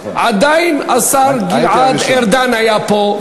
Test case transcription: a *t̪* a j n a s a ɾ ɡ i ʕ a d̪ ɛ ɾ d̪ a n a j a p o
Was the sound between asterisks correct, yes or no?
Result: no